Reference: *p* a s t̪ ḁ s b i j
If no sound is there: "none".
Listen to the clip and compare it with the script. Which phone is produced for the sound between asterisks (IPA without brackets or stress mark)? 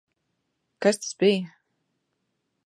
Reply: k